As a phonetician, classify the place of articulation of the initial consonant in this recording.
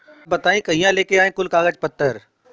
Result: labial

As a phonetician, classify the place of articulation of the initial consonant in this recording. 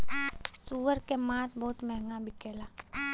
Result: alveolar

